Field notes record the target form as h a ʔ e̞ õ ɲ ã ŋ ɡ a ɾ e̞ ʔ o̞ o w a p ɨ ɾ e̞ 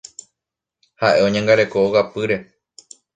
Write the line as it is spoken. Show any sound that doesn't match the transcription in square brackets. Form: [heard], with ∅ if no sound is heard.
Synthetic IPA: h a ʔ e̞ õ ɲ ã ŋ ɡ a ɾ e̞ [k] o̞ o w a p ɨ ɾ e̞